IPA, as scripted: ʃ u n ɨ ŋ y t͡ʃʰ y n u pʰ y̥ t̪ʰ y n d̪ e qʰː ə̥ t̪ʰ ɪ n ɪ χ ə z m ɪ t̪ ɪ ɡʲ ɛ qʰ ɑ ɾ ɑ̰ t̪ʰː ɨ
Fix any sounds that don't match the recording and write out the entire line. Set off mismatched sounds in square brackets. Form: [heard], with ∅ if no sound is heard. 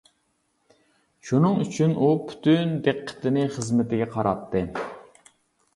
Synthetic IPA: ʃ u n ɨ ŋ y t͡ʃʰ y n u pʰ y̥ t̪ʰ y n d̪ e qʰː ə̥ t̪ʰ ɪ n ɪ χ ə z m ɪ t̪ ɪ ɡʲ ɛ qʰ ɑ ɾ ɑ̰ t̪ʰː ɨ